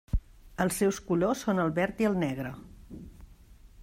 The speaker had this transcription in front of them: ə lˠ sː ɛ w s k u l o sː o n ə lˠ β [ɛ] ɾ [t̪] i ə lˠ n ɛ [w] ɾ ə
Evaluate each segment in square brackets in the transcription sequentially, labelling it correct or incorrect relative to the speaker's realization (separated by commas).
correct, correct, incorrect